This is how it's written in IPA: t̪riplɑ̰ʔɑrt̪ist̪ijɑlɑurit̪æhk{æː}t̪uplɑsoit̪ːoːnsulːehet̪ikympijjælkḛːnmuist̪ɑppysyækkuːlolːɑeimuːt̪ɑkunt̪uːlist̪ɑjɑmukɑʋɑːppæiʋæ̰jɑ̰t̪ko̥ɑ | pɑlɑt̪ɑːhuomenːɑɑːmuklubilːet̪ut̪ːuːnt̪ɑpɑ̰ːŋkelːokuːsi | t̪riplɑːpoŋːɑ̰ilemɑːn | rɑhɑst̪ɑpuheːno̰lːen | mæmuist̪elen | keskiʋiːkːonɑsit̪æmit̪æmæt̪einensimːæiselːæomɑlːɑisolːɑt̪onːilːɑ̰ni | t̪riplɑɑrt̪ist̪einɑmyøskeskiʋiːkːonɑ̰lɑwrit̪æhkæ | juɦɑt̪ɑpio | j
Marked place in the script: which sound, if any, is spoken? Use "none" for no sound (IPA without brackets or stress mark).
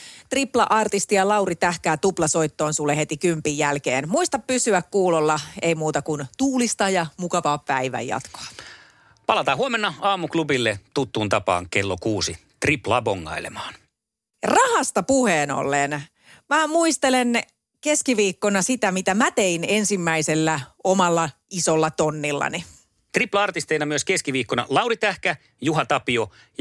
æː